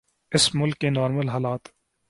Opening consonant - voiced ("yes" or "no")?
no